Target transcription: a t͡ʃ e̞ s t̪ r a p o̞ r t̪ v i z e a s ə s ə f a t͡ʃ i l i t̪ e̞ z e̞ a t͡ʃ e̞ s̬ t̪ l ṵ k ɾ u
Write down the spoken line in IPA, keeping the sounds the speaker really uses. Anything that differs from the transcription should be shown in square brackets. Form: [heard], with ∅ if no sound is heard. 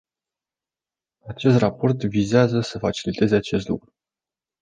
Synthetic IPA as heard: a t͡ʃ e̞ s t̪ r a p o̞ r t̪ v i z e a [z] ə s ə f a t͡ʃ i l i t̪ e̞ z e̞ a t͡ʃ e̞ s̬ t̪ l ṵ k ɾ u